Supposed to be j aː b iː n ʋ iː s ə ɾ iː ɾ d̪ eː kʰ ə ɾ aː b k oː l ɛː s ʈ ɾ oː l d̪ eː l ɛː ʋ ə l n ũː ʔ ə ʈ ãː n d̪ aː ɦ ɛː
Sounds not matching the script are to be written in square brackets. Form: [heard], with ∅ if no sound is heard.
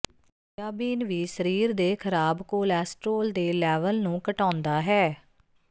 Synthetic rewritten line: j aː b iː n ʋ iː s ə ɾ iː ɾ d̪ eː kʰ ə ɾ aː b k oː l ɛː s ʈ ɾ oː l d̪ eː l ɛː ʋ ə l n ũː [k] ə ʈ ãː n d̪ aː ɦ ɛː